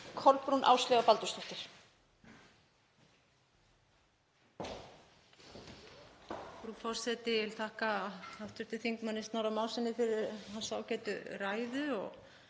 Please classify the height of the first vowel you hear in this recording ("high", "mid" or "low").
mid